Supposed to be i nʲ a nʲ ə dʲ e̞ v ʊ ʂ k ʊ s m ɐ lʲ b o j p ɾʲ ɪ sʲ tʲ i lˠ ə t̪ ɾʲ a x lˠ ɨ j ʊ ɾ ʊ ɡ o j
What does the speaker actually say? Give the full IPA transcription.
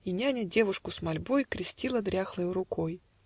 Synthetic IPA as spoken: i nʲ a nʲ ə dʲ e̞ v ʊ ʂ k ʊ s m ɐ lʲ b o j k ɾʲ ɪ sʲ tʲ i lˠ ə d̪ ɾʲ a x lˠ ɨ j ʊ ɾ ʊ k o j